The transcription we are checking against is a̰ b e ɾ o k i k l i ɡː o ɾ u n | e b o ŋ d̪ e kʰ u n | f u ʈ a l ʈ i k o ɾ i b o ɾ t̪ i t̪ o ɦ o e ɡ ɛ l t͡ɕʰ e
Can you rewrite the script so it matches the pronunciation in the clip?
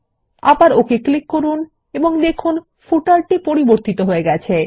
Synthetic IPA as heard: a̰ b a ɾ o k e k l i kː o ɾ u n | e b o ŋ d̪ e kʰ u n | f u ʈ a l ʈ i p o ɾ i b o ɾ t̪ i t̪ o ɦ o e ɡ ɛ t͡ɕʰ e